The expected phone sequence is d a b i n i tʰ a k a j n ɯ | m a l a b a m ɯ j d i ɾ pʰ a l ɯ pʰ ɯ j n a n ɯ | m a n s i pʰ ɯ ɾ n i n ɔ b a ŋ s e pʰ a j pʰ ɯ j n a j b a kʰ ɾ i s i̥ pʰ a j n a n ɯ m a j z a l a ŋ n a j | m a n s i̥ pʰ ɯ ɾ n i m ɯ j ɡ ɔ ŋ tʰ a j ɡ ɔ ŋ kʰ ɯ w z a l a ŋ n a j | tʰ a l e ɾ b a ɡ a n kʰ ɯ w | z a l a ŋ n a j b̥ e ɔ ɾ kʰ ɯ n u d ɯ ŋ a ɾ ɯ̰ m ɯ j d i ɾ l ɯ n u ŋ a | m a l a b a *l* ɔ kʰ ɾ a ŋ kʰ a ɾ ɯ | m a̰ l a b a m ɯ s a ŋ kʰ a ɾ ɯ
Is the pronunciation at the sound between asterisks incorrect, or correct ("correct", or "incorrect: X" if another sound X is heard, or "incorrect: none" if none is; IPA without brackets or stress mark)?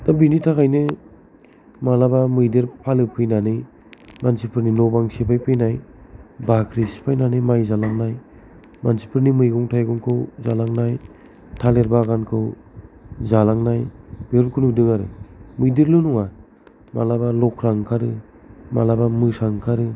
correct